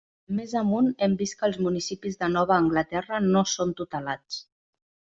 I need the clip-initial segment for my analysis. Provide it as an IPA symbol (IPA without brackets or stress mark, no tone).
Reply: m